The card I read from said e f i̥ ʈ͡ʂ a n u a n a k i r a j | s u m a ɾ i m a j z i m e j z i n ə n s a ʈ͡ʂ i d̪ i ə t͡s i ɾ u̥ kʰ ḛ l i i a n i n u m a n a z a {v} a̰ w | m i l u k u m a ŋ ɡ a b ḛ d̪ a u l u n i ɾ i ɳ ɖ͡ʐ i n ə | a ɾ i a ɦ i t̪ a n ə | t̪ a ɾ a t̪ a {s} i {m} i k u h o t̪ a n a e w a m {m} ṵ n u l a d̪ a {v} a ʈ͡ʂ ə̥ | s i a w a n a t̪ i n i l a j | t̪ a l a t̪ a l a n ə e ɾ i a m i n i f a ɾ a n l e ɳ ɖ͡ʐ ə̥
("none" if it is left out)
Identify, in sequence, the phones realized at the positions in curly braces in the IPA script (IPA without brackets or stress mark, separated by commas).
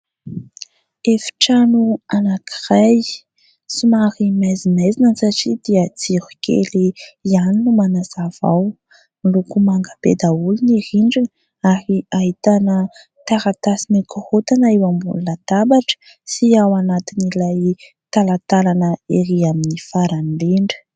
v, s, n, b, b